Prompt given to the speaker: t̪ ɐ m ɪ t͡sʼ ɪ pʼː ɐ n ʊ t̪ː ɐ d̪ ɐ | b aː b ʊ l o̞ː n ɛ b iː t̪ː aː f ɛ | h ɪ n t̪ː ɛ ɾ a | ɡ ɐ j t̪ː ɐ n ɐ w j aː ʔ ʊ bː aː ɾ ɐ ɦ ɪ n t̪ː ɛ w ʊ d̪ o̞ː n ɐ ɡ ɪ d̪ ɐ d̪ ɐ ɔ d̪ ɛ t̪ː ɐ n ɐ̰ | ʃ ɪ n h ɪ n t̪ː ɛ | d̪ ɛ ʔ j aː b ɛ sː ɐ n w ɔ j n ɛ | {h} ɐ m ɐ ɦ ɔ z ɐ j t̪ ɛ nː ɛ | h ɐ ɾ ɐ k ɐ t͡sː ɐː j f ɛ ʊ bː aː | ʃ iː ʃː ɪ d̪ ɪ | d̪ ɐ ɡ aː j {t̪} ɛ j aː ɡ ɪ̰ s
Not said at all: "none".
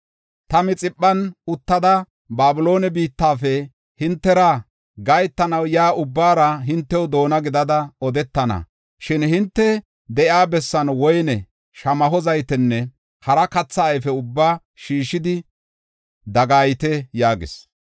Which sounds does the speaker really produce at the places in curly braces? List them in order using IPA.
ʃ, t̪

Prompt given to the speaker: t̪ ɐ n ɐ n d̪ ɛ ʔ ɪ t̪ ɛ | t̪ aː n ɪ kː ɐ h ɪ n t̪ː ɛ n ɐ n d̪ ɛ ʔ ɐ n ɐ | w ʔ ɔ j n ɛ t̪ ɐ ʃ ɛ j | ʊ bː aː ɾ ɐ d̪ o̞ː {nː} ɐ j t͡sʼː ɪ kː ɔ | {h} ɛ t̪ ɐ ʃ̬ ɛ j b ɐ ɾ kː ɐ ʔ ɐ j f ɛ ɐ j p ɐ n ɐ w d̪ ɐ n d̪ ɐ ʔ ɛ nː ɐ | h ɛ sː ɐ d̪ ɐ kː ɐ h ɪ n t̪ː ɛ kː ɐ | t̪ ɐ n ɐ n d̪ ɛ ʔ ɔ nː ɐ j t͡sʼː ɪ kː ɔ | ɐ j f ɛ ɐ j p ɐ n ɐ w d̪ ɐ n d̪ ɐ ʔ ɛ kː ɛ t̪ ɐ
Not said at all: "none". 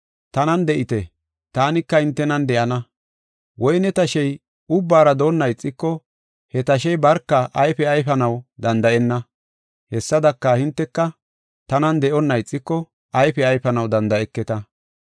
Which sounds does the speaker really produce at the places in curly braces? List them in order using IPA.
nː, h

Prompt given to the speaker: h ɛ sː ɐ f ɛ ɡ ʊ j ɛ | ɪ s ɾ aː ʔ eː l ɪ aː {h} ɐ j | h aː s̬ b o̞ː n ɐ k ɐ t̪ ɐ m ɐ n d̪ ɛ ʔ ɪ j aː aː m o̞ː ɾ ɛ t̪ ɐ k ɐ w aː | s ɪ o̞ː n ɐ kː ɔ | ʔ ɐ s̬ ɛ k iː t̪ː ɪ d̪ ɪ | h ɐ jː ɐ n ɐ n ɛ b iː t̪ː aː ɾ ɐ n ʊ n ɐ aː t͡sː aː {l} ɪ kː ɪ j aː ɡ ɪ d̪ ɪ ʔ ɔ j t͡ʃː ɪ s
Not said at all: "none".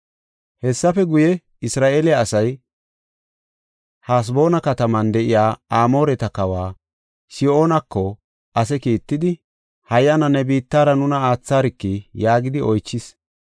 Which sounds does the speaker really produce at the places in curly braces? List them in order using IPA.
s, ɾ

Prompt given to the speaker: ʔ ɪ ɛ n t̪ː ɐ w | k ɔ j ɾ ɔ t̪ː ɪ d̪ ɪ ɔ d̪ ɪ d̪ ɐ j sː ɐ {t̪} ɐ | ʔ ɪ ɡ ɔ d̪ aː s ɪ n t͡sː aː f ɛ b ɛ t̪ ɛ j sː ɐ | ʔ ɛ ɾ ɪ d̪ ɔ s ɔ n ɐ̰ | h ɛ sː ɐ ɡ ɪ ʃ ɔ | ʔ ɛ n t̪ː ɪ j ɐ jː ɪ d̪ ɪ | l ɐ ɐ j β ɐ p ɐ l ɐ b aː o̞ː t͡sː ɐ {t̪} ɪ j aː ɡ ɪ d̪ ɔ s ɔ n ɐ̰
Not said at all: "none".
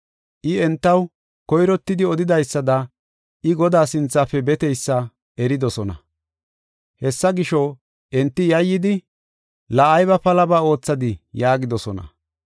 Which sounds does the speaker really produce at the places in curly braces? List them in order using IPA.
d̪, d̪

